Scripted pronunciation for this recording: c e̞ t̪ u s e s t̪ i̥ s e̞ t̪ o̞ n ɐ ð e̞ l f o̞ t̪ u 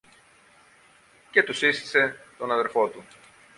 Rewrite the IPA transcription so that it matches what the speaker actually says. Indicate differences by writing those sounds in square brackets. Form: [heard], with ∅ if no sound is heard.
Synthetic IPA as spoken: c e̞ t̪ u s [i] s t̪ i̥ s e̞ t̪ o̞ n ɐ ð e̞ [ɾ] f o̞ t̪ u